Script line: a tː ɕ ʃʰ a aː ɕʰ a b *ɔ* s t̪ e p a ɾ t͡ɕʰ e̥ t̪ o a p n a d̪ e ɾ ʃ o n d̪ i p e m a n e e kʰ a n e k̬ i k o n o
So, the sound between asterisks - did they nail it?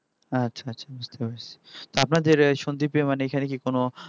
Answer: no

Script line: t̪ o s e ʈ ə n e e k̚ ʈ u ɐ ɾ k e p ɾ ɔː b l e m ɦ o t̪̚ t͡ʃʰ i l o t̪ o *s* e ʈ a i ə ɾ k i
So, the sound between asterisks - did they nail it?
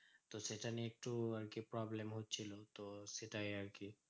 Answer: yes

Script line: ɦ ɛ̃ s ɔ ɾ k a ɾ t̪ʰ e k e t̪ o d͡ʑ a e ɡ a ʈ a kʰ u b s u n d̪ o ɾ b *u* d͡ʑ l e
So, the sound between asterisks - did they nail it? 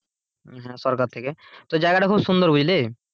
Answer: yes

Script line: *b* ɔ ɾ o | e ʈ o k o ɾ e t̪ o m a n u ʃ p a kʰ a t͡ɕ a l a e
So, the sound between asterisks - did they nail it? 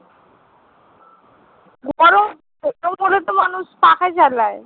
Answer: no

